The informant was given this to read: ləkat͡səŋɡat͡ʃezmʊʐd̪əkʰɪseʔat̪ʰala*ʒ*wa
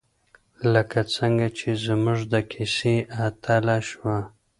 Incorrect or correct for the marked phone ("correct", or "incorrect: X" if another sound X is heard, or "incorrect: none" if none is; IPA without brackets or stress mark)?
incorrect: ʃ